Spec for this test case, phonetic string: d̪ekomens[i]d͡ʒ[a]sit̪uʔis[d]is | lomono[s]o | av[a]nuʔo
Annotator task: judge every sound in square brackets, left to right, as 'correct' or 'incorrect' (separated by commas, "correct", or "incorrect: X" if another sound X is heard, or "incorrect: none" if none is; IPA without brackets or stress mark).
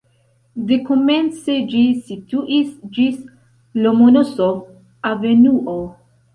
incorrect: e, incorrect: i, incorrect: d͡ʒ, correct, incorrect: e